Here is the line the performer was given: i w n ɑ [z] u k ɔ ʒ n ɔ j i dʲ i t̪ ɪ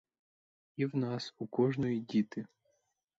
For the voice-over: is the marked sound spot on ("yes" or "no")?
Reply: no